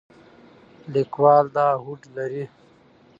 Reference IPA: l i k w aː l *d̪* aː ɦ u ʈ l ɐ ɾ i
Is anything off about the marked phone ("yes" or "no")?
no